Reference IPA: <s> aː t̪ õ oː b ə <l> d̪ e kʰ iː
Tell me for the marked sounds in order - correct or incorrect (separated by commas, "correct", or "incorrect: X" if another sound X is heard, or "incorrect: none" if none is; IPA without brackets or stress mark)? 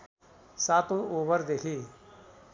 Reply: correct, incorrect: ɾ